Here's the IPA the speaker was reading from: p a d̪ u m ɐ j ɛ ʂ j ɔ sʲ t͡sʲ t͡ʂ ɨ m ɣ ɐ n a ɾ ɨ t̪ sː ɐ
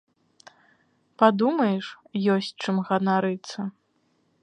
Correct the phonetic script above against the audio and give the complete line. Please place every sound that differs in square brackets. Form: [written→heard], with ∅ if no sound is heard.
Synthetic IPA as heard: p a d̪ u m ɐ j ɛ ʂ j ɔ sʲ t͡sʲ t͡ʂ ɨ m ɣ ɐ n a ɾ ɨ t̪ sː ɐ